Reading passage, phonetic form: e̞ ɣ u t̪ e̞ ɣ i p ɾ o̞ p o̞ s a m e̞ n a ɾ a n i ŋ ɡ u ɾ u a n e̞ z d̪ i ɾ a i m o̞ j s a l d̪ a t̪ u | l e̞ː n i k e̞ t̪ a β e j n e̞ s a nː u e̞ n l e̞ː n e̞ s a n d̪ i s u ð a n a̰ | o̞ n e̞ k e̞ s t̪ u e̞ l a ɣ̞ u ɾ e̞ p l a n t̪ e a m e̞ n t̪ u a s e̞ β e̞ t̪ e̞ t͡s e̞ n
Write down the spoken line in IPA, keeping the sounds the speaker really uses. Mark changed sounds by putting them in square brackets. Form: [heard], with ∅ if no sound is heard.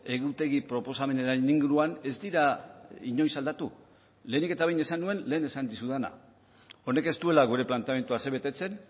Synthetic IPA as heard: e̞ ɣ u t̪ e̞ ɣ i p ɾ o̞ p o̞ s a m e̞ n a ɾ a n i ŋ ɡ u ɾ u a n e̞ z d̪ i ɾ a i [ɲ] o̞ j s a l d̪ a t̪ u | l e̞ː n i k e̞ t̪ a β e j n e̞ s a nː u e̞ n l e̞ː n e̞ s a n d̪ i s u ð a n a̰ | o̞ n e̞ k e̞ s t̪ u e̞ l a ɣ̞ u ɾ e̞ p l a n t̪ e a m e̞ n t̪ u a s e̞ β e̞ t̪ e̞ t͡s e̞ n